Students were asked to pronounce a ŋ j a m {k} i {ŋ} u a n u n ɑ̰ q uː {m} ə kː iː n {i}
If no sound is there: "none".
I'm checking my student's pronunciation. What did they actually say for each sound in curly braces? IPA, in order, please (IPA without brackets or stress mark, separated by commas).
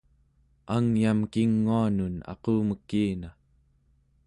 k, ŋː, m, a